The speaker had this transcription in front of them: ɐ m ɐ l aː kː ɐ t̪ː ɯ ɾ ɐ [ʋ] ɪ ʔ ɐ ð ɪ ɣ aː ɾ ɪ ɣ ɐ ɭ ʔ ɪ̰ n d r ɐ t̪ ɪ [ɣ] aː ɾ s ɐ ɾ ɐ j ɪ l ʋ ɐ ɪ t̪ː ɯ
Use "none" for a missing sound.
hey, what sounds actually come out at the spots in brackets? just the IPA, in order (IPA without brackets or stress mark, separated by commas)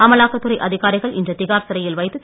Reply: none, ɣ